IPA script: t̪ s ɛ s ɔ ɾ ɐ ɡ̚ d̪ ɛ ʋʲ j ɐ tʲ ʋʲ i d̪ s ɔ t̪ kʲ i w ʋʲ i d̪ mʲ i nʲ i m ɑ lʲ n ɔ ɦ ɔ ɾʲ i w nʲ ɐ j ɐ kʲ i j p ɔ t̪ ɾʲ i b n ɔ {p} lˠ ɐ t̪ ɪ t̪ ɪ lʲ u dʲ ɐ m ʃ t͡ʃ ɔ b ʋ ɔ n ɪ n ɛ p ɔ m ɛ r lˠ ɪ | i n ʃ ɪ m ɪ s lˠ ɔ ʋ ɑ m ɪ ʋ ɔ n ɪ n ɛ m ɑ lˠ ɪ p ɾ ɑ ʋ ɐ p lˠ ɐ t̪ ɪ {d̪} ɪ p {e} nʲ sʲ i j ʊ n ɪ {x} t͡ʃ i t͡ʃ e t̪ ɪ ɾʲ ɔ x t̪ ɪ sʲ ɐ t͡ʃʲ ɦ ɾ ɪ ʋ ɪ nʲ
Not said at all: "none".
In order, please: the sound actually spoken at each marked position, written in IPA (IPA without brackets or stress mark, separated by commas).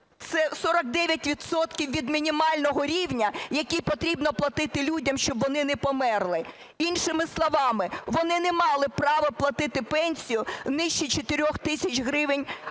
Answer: p, t̪, ɛ, ʃ